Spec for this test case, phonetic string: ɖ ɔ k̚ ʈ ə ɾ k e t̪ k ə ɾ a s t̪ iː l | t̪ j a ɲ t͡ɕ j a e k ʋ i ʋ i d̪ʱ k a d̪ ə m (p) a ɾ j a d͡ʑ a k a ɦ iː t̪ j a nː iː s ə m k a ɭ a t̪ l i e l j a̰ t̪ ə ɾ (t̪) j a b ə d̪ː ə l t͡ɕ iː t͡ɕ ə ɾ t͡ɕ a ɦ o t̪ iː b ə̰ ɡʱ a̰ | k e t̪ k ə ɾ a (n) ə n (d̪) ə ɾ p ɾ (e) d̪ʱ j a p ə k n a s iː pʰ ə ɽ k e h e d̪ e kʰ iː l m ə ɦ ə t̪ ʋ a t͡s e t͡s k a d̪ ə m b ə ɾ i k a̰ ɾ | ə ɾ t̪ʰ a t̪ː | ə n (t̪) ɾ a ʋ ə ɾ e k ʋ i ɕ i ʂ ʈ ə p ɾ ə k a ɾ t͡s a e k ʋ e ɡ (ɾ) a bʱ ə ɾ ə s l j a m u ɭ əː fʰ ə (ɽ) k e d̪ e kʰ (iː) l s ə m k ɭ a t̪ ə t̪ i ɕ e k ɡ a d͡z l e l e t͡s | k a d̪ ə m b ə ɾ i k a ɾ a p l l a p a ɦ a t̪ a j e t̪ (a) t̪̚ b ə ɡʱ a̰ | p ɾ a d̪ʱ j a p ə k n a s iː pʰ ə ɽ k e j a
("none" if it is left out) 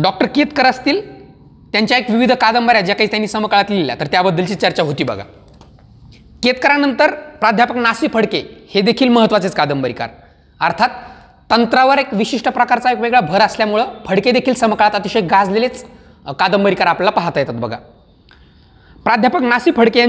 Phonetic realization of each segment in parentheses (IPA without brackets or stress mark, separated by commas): b, t̪, n, t̪, a, t̪, ɭ, ɽ, iː, a